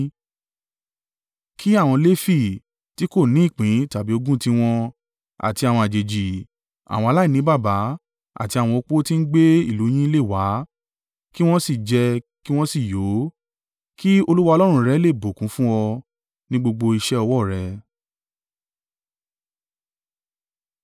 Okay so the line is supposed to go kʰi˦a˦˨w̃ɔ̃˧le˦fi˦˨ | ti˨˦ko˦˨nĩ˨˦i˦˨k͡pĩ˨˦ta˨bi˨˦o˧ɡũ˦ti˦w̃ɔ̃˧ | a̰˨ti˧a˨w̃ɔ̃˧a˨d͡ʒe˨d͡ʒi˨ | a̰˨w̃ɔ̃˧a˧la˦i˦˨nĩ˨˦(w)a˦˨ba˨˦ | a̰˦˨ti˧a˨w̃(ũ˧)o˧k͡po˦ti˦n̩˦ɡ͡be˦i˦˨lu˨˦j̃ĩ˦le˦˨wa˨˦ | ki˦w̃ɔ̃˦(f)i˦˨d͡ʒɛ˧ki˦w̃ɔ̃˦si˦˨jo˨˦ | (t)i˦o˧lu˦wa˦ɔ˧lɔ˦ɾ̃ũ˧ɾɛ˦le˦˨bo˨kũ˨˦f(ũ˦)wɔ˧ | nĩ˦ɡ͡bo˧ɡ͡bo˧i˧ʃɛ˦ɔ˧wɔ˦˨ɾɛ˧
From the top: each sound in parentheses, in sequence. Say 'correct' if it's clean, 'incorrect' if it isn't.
incorrect: b, incorrect: ɔ̃˧, incorrect: s, incorrect: k, correct

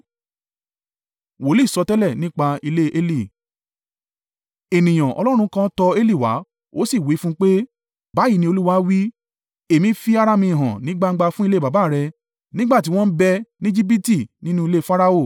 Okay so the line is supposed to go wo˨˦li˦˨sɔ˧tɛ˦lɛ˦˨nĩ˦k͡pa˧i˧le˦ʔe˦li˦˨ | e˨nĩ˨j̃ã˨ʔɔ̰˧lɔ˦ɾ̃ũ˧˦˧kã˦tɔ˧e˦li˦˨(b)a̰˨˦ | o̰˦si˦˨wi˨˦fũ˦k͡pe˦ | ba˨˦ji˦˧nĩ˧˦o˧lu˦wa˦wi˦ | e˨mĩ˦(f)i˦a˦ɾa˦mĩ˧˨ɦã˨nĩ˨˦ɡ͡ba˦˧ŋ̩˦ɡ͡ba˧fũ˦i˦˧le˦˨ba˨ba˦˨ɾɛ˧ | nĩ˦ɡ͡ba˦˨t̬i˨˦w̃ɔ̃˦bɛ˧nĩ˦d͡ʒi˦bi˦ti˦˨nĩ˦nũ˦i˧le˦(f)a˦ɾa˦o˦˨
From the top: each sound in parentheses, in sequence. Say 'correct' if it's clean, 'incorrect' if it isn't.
incorrect: w, correct, correct

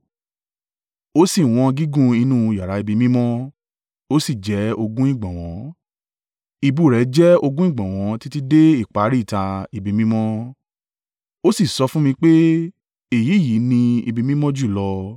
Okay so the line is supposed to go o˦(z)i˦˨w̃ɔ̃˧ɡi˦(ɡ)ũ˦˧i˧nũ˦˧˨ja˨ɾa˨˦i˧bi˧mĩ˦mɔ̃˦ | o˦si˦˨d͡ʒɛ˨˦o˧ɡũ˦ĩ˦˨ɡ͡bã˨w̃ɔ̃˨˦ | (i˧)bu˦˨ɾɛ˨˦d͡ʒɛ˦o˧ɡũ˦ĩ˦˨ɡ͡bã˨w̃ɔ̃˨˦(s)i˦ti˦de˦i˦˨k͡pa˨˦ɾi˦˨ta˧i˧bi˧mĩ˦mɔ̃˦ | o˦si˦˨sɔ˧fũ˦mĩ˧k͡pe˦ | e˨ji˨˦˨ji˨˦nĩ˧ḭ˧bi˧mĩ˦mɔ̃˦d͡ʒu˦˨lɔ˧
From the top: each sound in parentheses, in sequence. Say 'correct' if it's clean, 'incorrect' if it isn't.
incorrect: s, correct, correct, incorrect: t

